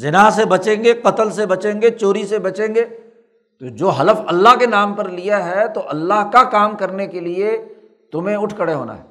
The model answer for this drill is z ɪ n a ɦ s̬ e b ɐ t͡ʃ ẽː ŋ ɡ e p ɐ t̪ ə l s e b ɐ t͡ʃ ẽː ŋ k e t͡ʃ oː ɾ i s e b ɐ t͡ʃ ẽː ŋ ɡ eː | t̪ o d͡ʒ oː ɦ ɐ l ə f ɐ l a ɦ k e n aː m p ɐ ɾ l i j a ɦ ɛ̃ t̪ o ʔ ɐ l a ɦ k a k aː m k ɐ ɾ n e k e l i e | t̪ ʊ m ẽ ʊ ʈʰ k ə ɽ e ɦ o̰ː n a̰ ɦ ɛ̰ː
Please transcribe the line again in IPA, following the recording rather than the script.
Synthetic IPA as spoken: z ɪ n a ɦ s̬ e b ɐ t͡ʃ ẽː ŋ ɡ e q ɐ t̪ ə l s e b ɐ t͡ʃ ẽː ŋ ɡ e t͡ʃ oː ɾ i s e b ɐ t͡ʃ ẽː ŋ ɡ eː | t̪ o d͡ʒ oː ɦ ɐ l ə f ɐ lː a ɦ k e n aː m p ɐ ɾ l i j a ɦ ɛ t̪ o ʔ ɐ lː a ɦ k a k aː m k ɐ ɾ n e k e l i e | t̪ ʊ m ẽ ʊ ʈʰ k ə ɽ e ɦ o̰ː n a̰ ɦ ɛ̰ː